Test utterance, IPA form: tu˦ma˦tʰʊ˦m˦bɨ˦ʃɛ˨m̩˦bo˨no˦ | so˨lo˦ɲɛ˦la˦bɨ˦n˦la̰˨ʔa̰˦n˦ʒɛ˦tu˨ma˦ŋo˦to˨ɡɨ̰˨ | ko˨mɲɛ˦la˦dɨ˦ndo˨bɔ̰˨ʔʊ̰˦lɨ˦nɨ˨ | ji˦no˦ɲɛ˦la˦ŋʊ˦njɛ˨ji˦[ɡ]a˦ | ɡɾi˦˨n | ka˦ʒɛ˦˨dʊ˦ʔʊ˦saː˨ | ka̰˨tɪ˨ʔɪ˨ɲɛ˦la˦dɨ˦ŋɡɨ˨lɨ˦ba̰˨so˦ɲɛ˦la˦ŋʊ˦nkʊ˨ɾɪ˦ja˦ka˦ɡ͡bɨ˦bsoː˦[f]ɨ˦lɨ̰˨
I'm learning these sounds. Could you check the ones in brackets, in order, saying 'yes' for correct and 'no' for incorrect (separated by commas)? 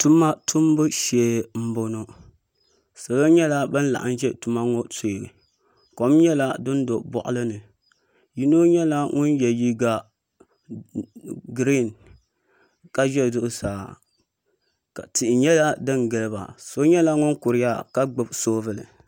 yes, no